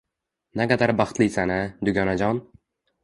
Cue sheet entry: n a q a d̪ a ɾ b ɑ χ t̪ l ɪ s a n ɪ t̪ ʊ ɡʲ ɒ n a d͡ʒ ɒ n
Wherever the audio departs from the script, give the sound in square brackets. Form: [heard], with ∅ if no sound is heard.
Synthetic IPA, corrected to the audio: n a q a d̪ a ɾ b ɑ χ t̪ l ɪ s a n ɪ [d̪] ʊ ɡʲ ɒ n a d͡ʒ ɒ n